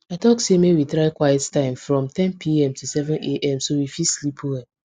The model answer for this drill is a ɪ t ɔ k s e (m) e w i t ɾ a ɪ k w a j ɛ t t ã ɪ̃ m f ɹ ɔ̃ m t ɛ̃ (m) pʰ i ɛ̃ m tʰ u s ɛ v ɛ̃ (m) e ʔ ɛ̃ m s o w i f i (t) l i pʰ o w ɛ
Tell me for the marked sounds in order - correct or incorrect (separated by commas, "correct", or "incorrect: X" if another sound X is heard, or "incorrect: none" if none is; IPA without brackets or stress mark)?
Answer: correct, incorrect: n, incorrect: n, incorrect: s